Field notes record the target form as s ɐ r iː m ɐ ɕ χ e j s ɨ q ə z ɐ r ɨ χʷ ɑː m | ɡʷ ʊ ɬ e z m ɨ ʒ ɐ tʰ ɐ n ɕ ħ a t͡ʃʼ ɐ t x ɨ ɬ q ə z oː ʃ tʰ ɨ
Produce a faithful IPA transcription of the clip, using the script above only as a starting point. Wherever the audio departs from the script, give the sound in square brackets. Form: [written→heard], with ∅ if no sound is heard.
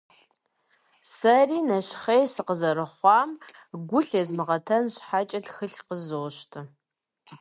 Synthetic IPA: s ɐ r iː [m→n] ɐ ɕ χ e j s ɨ q ə z ɐ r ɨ χʷ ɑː m | ɡʷ ʊ ɬ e z m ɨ [ʒ→ʁ] ɐ tʰ ɐ n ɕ ħ a t͡ʃʼ ɐ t x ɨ ɬ q ə z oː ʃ tʰ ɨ